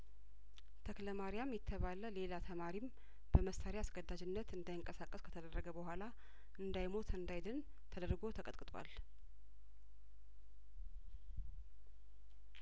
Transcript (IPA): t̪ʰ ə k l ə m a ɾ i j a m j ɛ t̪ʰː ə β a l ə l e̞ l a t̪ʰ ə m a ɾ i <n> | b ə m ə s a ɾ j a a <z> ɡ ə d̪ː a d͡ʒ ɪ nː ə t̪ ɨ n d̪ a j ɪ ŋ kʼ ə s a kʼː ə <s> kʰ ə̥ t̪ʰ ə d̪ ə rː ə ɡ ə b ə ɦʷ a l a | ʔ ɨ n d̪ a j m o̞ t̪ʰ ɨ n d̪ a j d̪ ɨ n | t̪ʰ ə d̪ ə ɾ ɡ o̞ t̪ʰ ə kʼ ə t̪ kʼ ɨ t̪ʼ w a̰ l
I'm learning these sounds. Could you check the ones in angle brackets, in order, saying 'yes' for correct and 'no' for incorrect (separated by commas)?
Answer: no, no, yes